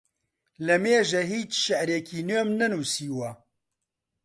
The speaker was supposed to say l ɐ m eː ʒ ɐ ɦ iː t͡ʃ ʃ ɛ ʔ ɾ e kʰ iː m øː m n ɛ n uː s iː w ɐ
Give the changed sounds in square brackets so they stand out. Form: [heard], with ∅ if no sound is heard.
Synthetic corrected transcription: l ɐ m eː ʒ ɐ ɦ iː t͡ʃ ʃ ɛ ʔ ɾ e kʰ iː [n] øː m n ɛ n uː s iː w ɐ